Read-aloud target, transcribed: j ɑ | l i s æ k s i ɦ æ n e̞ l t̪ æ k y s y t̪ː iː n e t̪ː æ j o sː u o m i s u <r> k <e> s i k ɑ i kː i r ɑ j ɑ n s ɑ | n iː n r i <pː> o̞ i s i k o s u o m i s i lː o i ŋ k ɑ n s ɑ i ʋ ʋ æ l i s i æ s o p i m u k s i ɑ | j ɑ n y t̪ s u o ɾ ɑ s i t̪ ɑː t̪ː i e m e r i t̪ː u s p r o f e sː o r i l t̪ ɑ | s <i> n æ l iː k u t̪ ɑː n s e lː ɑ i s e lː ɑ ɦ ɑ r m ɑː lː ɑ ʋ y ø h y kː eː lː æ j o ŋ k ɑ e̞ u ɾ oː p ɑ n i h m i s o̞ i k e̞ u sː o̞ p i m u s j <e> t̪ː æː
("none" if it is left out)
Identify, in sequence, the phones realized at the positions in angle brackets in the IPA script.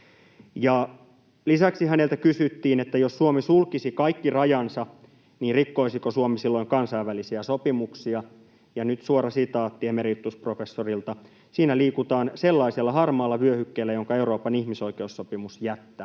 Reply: l, i, kː, iː, æ

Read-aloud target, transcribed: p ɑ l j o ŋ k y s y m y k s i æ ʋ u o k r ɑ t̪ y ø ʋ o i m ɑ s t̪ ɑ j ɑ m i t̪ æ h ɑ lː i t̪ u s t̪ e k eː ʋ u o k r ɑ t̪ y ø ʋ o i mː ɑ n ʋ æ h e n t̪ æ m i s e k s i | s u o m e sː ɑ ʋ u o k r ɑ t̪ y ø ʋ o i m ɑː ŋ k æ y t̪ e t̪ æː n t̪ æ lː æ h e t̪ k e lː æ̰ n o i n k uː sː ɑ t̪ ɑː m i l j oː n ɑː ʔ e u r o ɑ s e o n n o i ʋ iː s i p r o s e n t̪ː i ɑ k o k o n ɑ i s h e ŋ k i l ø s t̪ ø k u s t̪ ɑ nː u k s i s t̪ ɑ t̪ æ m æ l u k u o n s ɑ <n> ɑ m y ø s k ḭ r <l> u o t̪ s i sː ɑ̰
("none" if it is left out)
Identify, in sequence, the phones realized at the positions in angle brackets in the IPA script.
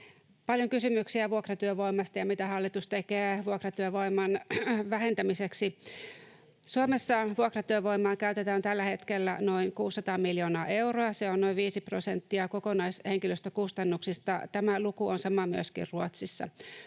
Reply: m, r

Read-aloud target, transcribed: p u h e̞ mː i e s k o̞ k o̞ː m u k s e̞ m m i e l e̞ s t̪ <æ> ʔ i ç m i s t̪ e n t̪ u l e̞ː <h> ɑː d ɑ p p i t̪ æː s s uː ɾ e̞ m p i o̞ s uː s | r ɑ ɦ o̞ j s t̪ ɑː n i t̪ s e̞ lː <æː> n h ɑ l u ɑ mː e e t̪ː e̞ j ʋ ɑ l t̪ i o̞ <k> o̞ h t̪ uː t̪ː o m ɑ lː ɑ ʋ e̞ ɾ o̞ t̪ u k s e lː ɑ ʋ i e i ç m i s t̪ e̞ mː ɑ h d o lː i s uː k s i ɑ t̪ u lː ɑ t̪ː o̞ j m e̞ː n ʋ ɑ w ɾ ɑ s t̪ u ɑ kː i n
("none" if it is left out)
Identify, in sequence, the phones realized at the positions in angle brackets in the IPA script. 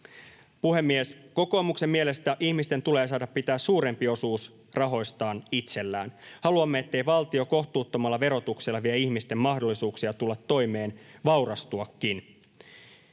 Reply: æ, s, æː, k

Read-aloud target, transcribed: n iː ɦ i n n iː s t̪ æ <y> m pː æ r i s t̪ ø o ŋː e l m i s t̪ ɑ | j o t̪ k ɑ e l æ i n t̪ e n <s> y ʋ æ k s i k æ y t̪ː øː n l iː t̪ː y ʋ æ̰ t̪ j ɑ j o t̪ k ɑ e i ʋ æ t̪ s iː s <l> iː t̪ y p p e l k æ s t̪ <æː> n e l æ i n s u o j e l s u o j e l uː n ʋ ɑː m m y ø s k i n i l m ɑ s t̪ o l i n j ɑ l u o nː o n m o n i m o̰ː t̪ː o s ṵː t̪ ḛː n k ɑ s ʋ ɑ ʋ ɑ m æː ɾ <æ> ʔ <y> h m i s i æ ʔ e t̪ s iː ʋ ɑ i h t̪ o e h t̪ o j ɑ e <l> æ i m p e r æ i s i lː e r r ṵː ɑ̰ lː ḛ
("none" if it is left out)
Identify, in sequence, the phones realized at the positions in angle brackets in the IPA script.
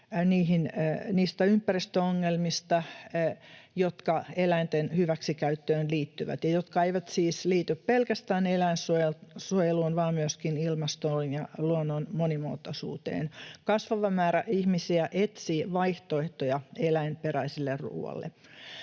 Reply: y, h, l, æː, æ, i, l

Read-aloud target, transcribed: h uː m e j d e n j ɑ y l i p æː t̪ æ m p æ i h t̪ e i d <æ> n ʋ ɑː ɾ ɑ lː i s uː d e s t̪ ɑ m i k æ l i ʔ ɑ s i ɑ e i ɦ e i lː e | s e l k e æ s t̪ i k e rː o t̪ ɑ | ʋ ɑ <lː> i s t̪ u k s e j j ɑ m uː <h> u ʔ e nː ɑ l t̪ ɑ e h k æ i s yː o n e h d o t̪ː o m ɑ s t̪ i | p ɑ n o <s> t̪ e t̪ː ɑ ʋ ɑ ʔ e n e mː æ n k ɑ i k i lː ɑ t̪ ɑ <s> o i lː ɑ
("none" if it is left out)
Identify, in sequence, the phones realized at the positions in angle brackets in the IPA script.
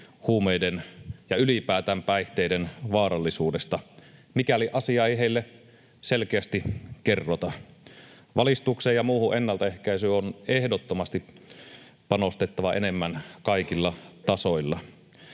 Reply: e, l, h, s, s

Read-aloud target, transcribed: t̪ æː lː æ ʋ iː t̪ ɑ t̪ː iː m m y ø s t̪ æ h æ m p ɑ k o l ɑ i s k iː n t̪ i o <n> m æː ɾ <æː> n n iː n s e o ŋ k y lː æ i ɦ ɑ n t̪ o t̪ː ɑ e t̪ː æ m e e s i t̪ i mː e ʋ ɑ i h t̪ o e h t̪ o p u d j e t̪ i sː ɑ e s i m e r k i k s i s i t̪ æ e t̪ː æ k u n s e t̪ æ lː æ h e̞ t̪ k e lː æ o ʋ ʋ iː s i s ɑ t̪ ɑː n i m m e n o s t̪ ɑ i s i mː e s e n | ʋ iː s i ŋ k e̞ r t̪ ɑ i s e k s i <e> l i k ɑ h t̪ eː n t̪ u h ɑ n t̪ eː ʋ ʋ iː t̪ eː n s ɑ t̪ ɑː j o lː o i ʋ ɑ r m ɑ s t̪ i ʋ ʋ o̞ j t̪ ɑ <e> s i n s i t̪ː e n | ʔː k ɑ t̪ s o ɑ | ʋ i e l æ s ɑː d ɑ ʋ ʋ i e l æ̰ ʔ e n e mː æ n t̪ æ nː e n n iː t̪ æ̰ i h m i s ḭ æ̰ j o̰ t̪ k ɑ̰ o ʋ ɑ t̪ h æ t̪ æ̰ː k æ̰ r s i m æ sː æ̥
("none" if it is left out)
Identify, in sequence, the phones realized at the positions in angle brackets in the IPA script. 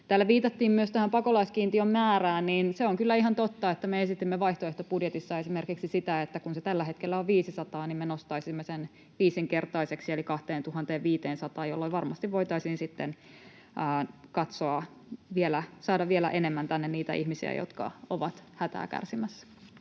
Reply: m, æː, e, i

